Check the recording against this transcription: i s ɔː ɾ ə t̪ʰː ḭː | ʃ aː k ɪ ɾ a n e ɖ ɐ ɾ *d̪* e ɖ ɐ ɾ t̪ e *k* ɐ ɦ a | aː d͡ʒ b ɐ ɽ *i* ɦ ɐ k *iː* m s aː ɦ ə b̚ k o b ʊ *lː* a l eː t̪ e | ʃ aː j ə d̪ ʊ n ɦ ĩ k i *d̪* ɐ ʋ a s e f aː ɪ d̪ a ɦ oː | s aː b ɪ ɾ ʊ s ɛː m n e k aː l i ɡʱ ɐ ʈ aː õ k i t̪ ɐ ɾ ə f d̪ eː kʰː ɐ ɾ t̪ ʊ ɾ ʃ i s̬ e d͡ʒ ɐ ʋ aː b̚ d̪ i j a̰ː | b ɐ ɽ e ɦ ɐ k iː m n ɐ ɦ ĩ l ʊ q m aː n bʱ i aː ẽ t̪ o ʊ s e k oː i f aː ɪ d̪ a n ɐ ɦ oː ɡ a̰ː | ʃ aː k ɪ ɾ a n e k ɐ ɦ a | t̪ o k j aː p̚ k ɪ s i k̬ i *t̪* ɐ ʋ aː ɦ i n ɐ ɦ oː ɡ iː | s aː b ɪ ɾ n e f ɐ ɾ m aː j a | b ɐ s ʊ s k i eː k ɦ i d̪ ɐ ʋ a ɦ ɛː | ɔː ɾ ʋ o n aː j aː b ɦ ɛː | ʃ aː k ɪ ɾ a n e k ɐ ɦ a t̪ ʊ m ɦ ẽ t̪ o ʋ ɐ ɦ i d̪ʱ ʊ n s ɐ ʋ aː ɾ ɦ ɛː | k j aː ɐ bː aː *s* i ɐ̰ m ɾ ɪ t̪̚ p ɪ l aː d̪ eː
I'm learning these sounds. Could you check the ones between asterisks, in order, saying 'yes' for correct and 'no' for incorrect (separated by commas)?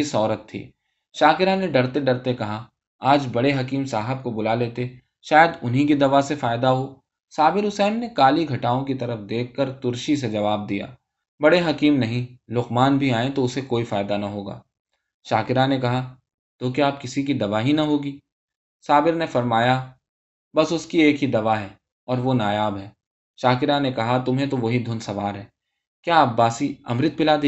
no, yes, no, yes, no, yes, no, yes